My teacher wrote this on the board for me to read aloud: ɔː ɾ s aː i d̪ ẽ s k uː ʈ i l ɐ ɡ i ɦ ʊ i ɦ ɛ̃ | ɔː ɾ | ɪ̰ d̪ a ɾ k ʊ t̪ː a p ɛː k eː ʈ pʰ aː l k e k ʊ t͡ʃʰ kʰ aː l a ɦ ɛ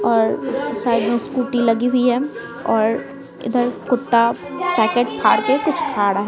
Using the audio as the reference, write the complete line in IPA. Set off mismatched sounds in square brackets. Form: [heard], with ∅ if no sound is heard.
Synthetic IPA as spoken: ɔː ɾ s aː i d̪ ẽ s k uː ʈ i l ɐ ɡ i ɦ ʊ i ɦ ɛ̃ | ɔː ɾ | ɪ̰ d̪ [ə] ɾ k ʊ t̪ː a p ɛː k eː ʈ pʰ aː [ɽ] k e k ʊ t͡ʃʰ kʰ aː [ɽ] a ɦ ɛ